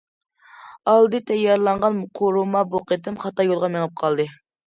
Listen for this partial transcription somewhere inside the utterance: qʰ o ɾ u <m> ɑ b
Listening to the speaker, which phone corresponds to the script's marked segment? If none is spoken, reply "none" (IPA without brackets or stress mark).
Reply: m